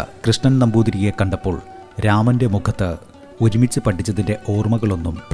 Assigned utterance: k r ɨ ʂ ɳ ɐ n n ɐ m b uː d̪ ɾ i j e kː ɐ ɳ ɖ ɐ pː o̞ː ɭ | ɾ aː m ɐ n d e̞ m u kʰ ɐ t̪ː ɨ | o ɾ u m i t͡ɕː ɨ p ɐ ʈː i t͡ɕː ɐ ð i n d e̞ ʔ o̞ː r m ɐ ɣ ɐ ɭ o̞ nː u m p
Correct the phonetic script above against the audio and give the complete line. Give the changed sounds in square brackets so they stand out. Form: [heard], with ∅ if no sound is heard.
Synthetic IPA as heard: k r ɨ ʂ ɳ ɐ n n ɐ m b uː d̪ ɾ i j e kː ɐ ɳ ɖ ɐ pː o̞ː ɭ | ɾ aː m ɐ n d e̞ m u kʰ ɐ t̪ː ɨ | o ɾ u m i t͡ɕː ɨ p ɐ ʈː i t͡ɕː ɐ ð i n d e̞ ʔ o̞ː r m ɐ ɣ ɐ ɭ o̞ nː u m p